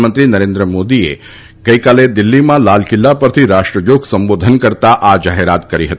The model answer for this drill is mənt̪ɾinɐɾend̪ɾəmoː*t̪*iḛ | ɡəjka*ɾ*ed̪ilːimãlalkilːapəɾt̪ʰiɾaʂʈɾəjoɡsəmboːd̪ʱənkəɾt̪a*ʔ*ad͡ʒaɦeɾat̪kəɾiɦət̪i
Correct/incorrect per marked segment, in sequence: incorrect: d̪, incorrect: l, correct

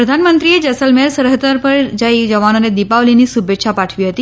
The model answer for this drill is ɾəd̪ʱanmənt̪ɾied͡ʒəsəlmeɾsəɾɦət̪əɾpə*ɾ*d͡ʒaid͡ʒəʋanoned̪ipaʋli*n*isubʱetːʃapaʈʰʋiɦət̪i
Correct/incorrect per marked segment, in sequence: correct, correct

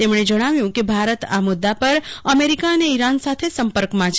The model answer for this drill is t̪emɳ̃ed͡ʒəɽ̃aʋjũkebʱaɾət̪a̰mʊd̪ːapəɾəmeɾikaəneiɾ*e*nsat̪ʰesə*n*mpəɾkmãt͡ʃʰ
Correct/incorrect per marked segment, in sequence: incorrect: a, incorrect: none

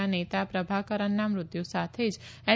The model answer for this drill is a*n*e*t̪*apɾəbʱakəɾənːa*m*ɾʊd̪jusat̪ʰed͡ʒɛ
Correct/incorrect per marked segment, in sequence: correct, correct, correct

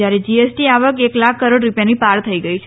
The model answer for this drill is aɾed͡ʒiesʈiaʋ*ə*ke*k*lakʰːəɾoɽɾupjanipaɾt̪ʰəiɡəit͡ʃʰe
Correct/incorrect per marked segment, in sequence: correct, correct

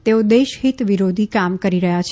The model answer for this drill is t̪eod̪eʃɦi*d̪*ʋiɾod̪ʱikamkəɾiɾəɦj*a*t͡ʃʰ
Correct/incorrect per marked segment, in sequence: incorrect: t̪, correct

